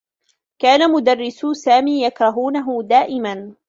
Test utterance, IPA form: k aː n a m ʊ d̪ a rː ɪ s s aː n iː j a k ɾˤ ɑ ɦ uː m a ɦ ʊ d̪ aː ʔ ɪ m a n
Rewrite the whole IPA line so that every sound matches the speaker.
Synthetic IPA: k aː n a m ʊ d̪ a rː ɪ s s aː m iː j a k ɾˤ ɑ ɦ uː n a ɦ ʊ d̪ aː ʔ ɪ m a n